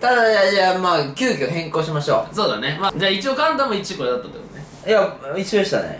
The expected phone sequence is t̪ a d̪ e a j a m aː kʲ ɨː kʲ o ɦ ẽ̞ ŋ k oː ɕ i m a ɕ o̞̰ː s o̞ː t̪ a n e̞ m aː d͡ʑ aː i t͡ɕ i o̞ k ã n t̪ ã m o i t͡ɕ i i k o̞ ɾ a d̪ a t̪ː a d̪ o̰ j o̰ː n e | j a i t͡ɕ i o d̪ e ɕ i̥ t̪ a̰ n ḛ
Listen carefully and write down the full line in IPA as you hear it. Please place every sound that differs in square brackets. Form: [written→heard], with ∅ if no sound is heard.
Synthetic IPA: t̪ a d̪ [e→a] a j a m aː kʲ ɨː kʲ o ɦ ẽ̞ ŋ k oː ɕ i m a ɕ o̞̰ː s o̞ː [t̪→d̪] a n e̞ m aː d͡ʑ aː i t͡ɕ i o̞ k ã n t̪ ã m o i t͡ɕ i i k o̞ ɾ [a→e] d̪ a t̪ː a [d̪→t̪] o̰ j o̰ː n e | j a i t͡ɕ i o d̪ e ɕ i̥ t̪ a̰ n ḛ